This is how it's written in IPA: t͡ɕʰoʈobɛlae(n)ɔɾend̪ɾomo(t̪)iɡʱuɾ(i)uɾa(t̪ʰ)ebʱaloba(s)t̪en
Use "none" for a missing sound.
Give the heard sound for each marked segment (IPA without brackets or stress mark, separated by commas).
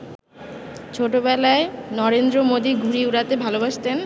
n, d̪, i, t̪, ʃ